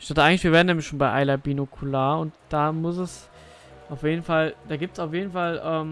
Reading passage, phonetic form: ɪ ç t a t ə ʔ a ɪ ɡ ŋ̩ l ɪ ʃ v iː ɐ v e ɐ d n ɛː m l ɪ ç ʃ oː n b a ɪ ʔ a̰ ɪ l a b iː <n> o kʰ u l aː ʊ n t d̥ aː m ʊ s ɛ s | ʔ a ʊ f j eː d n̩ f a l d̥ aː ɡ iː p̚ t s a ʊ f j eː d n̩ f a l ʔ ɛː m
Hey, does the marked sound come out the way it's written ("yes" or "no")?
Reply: yes